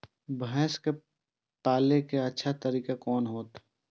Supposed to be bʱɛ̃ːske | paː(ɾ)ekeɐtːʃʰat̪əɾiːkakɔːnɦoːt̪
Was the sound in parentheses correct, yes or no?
no